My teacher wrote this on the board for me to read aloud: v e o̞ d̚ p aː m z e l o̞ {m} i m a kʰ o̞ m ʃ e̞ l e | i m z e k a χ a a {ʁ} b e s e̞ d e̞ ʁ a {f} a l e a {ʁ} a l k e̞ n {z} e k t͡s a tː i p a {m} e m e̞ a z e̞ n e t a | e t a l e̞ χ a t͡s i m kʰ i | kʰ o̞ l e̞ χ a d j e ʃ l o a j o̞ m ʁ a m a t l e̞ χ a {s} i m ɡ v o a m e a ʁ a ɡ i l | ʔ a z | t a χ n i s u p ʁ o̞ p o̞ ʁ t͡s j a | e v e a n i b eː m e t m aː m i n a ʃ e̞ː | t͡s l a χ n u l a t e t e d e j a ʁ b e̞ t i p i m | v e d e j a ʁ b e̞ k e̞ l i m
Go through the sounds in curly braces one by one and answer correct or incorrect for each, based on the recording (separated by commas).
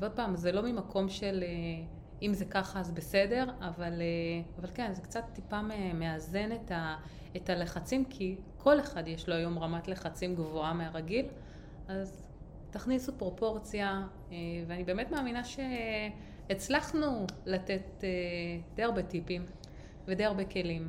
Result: correct, incorrect, incorrect, incorrect, correct, correct, incorrect